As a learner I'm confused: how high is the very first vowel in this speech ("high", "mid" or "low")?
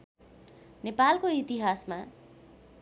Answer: mid